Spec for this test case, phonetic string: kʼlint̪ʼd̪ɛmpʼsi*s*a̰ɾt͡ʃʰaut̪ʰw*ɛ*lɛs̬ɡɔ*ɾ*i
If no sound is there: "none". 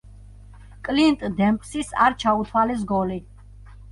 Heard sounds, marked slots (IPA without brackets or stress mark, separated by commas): s, a, l